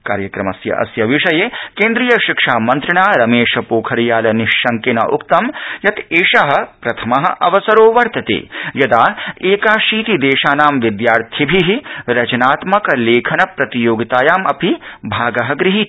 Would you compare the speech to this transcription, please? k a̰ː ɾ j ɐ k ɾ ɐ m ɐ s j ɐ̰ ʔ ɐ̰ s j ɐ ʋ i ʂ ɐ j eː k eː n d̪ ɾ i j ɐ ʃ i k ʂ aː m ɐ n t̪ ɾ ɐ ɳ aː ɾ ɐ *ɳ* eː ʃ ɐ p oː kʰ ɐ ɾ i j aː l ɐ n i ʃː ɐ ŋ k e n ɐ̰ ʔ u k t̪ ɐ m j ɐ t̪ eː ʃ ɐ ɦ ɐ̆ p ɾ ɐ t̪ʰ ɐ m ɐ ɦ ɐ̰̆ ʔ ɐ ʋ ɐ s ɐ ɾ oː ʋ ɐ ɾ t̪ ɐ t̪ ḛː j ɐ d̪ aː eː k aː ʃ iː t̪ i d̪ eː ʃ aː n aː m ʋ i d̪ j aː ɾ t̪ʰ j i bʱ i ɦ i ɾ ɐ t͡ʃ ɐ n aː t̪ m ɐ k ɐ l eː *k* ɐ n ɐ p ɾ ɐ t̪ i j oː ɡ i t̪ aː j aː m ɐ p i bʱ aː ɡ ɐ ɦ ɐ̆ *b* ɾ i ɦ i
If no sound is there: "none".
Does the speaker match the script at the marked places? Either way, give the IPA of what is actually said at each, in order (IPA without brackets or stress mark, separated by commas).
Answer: m, kʰ, ɡ